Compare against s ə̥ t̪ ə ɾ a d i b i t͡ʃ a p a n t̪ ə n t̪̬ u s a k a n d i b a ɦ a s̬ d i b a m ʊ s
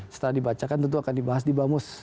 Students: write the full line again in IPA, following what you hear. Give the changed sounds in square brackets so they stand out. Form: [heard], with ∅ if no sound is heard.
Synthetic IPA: s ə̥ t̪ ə ɾ a d i b [a] t͡ʃ a [k] a n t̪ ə n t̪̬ u [∅] a k a n d i b a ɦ a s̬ d i b a m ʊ s